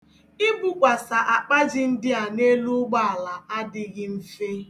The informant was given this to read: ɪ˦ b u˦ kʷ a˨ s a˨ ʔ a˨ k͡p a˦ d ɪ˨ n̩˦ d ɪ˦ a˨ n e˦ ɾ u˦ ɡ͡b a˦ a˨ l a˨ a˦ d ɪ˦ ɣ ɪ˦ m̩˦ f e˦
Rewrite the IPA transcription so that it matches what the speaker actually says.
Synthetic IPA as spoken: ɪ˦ b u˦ kʷ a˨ s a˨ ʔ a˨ k͡p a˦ d͡ʒ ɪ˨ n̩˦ d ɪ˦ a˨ n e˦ l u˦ ɡ͡b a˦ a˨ l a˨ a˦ d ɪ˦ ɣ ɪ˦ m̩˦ f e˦